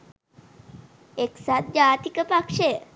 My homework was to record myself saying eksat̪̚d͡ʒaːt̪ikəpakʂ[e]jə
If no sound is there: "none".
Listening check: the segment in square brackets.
e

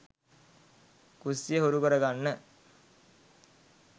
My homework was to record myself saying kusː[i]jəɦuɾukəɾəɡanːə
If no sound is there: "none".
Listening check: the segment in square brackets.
i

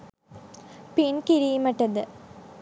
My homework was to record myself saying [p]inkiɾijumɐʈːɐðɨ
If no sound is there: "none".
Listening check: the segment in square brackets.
p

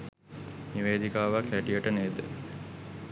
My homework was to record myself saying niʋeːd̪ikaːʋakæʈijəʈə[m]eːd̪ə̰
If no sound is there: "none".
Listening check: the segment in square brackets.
n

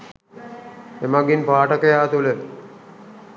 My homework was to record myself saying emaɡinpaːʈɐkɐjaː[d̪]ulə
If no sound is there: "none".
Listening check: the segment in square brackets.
t̪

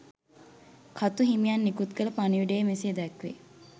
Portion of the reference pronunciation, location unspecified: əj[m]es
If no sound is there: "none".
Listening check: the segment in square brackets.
m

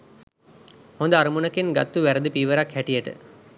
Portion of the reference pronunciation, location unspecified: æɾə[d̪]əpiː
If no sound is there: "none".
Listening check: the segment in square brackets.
d̪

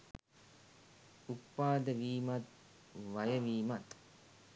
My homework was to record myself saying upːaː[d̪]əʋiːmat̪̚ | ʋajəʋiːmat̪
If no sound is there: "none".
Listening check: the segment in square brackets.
d̪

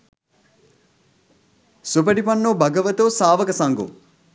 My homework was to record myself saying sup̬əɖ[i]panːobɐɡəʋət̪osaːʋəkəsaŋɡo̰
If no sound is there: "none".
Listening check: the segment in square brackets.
i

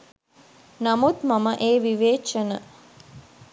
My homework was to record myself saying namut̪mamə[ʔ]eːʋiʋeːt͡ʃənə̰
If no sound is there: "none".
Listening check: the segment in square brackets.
ʔ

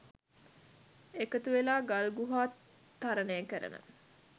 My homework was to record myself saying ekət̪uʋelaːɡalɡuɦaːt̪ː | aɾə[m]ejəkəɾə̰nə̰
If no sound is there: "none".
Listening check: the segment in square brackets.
n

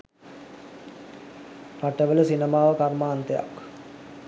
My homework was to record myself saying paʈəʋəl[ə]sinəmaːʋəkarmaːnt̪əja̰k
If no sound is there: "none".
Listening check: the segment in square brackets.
ə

